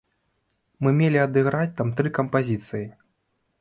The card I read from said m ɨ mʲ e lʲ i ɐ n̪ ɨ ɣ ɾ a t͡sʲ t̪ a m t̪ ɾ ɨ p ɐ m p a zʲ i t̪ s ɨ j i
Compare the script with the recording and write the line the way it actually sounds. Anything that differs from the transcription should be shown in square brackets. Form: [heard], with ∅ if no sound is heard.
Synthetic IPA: m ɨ mʲ e lʲ i ɐ [d̪] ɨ ɣ ɾ a t͡sʲ t̪ a m t̪ ɾ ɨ [k] ɐ m p a zʲ i t̪ s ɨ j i